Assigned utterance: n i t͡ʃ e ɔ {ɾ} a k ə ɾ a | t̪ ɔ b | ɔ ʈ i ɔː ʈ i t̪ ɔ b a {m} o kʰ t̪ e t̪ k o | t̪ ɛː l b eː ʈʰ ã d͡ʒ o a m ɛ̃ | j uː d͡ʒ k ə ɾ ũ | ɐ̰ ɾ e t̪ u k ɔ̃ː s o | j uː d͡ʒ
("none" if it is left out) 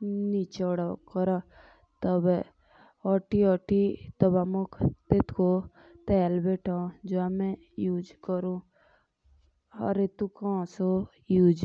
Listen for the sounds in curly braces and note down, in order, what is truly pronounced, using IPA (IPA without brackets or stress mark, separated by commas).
ɽ, m